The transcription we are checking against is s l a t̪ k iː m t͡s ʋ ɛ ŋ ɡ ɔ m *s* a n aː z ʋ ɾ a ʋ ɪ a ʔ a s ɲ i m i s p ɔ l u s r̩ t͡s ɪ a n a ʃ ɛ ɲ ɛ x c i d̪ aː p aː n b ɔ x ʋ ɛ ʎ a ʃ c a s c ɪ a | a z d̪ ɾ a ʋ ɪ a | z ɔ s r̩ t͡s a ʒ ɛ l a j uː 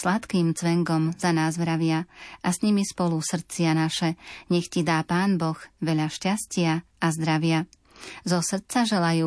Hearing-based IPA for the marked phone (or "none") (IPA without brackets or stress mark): z